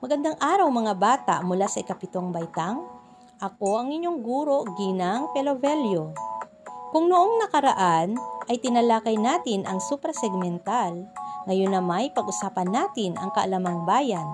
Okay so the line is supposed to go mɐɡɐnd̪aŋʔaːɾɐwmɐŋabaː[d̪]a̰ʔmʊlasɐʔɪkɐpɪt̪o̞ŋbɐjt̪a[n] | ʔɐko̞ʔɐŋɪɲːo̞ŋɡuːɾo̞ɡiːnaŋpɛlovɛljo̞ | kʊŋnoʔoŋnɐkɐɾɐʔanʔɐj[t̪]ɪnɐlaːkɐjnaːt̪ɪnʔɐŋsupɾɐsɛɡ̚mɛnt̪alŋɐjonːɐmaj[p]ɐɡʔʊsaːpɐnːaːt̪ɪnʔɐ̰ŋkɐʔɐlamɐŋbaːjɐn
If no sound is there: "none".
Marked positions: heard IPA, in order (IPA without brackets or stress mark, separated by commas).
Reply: t̪, ŋ, t̪, p